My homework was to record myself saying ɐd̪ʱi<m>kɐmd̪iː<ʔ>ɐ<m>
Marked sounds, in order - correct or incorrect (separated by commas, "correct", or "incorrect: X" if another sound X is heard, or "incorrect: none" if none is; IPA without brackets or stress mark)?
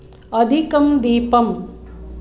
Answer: incorrect: none, incorrect: p, correct